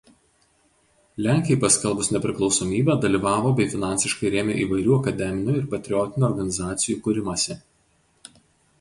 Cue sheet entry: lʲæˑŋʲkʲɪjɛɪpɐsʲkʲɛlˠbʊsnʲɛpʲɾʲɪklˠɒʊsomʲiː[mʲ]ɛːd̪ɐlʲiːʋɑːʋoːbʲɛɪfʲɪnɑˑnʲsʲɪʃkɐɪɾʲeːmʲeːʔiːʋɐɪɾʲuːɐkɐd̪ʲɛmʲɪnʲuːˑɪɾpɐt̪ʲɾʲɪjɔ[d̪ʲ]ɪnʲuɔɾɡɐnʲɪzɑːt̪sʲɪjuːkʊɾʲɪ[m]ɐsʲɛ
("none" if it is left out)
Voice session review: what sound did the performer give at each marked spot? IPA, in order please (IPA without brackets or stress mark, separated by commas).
bʲ, t̪ʲ, m